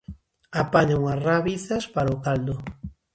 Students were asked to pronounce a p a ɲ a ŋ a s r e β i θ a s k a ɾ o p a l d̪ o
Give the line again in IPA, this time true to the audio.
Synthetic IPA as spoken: a p a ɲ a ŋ a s r a β i θ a s p a ɾ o k a l d̪ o